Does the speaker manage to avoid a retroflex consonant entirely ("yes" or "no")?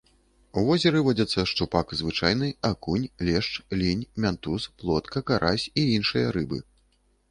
no